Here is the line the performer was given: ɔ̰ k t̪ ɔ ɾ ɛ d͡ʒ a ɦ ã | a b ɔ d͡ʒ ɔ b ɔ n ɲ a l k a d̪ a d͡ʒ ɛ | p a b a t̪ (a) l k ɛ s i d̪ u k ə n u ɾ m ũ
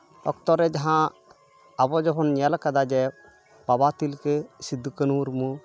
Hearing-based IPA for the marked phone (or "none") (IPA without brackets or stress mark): i